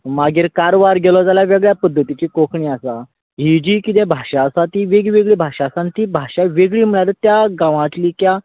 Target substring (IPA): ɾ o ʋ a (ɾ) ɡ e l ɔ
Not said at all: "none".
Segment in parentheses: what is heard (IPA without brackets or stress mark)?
ɾ